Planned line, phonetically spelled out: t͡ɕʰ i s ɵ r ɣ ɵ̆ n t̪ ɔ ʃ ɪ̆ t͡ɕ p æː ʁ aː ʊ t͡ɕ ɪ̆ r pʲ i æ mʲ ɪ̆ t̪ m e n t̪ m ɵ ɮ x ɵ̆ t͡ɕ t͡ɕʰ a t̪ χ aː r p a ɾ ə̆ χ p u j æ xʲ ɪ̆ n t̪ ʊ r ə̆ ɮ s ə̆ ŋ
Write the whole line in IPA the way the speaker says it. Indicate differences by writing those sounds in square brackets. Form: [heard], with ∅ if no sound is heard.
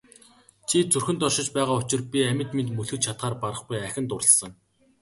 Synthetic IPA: t͡ɕʰ i [t͡s] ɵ r [x] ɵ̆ n t̪ ɔ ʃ ɪ̆ t͡ɕ p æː ʁ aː ʊ t͡ɕ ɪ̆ r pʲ i æ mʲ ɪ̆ t̪ m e n t̪ m ɵ ɮ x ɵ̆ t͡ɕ t͡ɕʰ a t̪ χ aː r p a ɾ ə̆ χ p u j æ xʲ ɪ̆ n t̪ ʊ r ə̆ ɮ s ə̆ ŋ